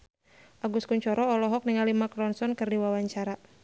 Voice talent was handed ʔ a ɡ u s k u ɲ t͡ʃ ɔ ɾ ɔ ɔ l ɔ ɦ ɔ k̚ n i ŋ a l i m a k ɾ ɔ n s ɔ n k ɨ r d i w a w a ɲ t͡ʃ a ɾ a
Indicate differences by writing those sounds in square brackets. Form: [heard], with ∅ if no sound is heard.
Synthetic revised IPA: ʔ a ɡ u s k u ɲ t͡ʃ ɔ ɾ ɔ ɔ l ɔ ɦ ɔ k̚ n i ŋ a l i m a k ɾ ɔ n s ɔ n k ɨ r d i w a w a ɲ t͡ʃ a ɾ a